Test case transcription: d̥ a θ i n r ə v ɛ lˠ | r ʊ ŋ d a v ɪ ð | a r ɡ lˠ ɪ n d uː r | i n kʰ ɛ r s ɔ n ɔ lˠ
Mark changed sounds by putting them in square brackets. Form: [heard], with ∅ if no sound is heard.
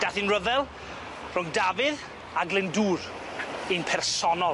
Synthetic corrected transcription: d̥ a θ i n r ə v ɛ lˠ | r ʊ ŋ d a v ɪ ð | a [∅] ɡ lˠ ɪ n d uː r | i n [pʰ] ɛ r s ɔ n ɔ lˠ